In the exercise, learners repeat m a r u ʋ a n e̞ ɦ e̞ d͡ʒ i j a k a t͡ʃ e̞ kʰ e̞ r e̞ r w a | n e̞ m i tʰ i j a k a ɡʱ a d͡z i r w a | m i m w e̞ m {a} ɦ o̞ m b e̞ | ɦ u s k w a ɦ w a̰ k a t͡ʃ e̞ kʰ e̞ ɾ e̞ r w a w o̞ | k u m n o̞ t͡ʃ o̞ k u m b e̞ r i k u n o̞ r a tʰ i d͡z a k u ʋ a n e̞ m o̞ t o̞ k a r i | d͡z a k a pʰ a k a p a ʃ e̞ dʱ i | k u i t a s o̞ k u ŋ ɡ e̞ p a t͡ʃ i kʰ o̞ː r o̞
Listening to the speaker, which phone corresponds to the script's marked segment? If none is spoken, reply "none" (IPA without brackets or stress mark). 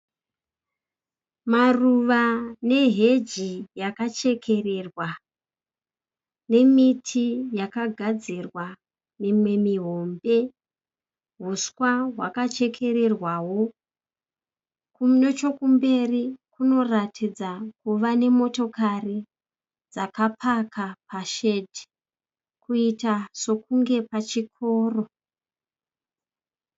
i